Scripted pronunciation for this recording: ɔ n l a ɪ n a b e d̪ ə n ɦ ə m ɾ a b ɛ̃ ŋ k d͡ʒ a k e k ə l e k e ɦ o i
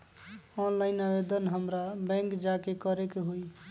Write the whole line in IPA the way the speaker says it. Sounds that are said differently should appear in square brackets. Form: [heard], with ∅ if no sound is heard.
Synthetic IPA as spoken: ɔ n l a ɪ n a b e d̪ ə n ɦ ə m ɾ a b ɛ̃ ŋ k d͡ʒ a k e k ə [ɾ] e k e ɦ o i